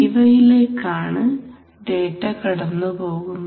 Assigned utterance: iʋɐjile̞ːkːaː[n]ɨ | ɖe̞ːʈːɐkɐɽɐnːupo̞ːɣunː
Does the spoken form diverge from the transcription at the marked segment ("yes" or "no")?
yes